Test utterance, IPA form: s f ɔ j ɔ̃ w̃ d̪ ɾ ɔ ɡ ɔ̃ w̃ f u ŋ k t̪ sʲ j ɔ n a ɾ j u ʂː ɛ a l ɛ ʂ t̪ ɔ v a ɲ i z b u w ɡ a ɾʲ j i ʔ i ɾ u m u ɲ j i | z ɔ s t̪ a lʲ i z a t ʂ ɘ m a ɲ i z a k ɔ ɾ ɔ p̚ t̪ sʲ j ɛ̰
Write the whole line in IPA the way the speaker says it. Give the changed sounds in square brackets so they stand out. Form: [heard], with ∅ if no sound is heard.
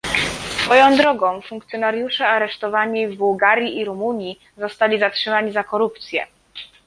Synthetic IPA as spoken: s f ɔ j ɔ̃ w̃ d̪ ɾ ɔ ɡ ɔ̃ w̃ f u ŋ k t̪ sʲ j ɔ n a ɾ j u [ʂ] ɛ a [ɾ] ɛ ʂ t̪ ɔ v a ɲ i [v] b u w ɡ a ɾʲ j i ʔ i ɾ u m u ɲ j i | z ɔ s t̪ a lʲ i z a t ʂ ɘ m a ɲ i z a k ɔ ɾ [u] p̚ t̪ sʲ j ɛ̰